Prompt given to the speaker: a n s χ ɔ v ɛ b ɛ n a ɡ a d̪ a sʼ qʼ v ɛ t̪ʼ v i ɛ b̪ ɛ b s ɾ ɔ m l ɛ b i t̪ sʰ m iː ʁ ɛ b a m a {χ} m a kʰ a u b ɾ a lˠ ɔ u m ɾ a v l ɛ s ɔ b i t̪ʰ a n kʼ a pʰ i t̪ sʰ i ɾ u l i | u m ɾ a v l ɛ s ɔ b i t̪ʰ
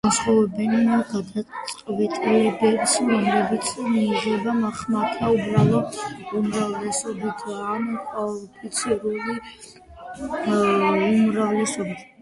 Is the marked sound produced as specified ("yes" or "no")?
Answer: yes